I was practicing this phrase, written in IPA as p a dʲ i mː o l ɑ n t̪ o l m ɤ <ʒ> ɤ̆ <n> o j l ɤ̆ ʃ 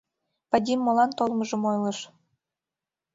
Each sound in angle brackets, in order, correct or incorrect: correct, incorrect

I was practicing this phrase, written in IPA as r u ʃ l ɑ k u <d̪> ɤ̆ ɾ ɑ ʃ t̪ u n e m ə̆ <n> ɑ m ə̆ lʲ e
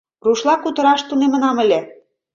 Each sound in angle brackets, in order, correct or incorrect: incorrect, correct

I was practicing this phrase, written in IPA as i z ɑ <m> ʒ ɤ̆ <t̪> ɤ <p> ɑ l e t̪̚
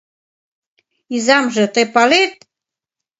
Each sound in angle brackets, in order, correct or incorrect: correct, correct, correct

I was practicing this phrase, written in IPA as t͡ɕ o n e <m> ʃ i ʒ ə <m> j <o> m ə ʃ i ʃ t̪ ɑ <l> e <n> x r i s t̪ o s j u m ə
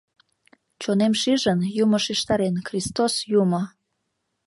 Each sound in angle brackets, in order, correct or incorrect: correct, incorrect, incorrect, incorrect, correct

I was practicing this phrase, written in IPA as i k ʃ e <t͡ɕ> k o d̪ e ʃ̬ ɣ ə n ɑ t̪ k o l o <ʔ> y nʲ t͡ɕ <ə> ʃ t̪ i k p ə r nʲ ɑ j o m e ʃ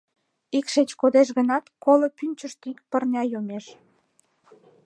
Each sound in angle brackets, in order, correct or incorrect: correct, incorrect, correct

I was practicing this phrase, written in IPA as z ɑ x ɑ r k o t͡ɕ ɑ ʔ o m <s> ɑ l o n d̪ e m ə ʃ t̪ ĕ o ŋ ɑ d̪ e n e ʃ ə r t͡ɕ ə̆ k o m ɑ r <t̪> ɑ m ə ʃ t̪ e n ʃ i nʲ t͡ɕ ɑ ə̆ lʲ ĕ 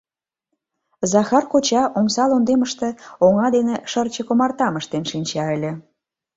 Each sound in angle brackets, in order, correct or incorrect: correct, correct

